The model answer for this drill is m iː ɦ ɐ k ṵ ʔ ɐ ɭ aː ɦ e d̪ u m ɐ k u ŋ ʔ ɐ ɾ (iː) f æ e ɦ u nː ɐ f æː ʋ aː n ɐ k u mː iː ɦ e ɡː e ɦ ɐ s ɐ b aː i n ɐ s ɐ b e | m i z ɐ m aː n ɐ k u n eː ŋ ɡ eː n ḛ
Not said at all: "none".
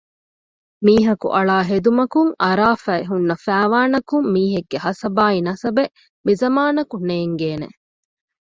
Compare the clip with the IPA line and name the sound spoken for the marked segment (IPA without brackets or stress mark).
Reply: aː